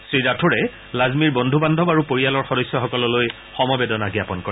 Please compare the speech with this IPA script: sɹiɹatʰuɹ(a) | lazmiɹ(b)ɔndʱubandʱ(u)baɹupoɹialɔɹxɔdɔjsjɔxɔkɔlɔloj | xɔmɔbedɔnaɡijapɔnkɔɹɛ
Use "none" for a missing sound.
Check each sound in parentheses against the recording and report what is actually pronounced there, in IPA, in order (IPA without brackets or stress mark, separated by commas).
ɛ, b, ɔ